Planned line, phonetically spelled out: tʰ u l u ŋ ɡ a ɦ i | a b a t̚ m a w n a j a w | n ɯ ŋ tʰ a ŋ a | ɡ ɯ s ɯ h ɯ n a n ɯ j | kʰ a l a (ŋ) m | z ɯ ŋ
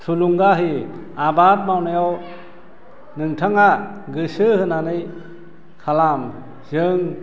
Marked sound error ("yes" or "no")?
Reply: yes